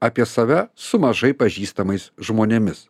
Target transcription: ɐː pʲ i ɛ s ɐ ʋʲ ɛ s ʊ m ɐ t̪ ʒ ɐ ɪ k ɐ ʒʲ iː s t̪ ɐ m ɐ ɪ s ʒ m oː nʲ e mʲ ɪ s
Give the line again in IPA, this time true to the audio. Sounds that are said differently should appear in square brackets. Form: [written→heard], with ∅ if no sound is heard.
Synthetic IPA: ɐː pʲ i ɛ s ɐ ʋʲ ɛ s ʊ m ɐ [t̪→∅] ʒ ɐ ɪ [k→p] ɐ ʒʲ iː s t̪ ɐ m ɐ ɪ s ʒ m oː nʲ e mʲ ɪ s

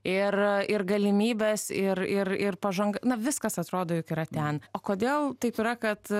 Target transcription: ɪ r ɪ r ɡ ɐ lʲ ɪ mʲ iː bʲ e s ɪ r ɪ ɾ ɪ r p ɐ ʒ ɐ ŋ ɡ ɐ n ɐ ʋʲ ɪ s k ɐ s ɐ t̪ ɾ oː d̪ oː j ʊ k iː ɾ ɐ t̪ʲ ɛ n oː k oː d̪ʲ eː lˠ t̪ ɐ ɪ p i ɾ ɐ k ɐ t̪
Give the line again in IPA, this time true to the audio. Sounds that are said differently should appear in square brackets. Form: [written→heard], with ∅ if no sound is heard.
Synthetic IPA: ɪ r ɪ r ɡ ɐ lʲ ɪ mʲ iː bʲ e s ɪ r ɪ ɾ ɪ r p ɐ ʒ ɐ ŋ ɡ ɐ n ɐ ʋʲ ɪ s k ɐ s ɐ t̪ ɾ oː d̪ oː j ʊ k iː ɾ ɐ t̪ʲ ɛ n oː k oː d̪ʲ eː lˠ t̪ ɐ ɪ p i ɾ ɐ k ɐ t̪

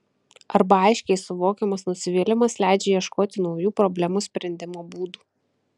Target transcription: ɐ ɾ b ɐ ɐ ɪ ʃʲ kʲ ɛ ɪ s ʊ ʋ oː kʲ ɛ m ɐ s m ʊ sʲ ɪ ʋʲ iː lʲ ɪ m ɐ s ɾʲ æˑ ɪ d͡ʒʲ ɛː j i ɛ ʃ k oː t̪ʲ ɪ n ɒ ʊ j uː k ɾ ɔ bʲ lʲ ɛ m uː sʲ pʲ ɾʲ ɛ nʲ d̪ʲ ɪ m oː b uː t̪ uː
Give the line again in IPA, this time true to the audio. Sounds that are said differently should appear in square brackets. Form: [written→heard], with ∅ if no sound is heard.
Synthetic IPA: ɐ ɾ b ɐ ɐ ɪ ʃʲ kʲ ɛ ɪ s ʊ ʋ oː kʲ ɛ m ɐ s [m→n] ʊ sʲ ɪ ʋʲ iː lʲ ɪ m ɐ s [ɾʲ→lʲ] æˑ ɪ d͡ʒʲ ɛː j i ɛ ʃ k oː t̪ʲ ɪ n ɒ ʊ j uː [k→p] ɾ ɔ bʲ lʲ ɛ m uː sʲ pʲ ɾʲ ɛ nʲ d̪ʲ ɪ m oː b uː [t̪→d̪] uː

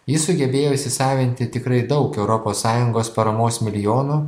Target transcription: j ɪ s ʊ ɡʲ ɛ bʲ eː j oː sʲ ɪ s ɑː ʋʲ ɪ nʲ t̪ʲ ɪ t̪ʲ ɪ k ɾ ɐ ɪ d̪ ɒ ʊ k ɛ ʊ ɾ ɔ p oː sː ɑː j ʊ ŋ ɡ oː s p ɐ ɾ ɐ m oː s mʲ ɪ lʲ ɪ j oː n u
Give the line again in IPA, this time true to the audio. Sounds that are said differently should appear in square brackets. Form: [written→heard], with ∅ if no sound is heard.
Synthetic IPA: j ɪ s ʊ ɡʲ ɛ bʲ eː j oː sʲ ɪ s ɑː ʋʲ ɪ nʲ t̪ʲ ɪ t̪ʲ ɪ k ɾ ɐ ɪ d̪ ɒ ʊ k ɛ ʊ ɾ ɔ p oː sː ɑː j ʊ ŋ ɡ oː s p ɐ ɾ ɐ m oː s mʲ ɪ lʲ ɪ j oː n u

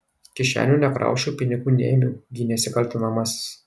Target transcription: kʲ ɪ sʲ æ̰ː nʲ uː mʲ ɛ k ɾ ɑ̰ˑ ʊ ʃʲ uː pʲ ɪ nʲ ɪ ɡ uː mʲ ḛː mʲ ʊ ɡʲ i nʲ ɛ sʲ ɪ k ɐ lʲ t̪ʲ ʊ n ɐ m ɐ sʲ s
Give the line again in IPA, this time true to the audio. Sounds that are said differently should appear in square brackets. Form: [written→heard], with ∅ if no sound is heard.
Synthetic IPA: kʲ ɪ [sʲ→ʃʲ] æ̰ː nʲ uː [mʲ→nʲ] ɛ k ɾ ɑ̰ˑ ʊ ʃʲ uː pʲ ɪ nʲ ɪ ɡ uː [mʲ→nʲ] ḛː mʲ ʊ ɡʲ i nʲ ɛ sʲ ɪ k ɐ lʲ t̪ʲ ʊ n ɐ m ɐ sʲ s

